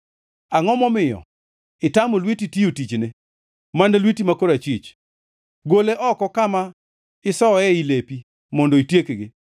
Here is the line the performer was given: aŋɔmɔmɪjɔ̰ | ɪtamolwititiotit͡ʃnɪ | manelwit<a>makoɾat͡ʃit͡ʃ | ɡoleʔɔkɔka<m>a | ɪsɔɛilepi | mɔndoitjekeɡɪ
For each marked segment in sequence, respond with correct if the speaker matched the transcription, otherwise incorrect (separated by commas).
incorrect, correct